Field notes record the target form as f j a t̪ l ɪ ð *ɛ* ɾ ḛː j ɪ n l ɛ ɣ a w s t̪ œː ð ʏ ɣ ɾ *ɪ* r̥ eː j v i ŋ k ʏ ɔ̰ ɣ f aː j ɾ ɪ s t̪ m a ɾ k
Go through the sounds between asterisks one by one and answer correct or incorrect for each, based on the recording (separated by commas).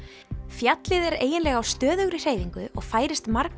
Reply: correct, correct